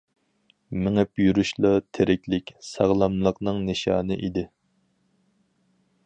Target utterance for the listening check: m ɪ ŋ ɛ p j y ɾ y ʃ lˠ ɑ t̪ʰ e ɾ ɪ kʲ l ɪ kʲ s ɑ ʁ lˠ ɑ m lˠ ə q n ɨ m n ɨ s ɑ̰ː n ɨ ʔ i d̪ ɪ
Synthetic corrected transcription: m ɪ ŋ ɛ p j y ɾ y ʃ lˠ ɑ t̪ʰ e ɾ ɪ kʲ l ɪ kʲ s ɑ ʁ lˠ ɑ m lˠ ə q n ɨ ŋ n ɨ ʃ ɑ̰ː n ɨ ʔ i d̪ ɪ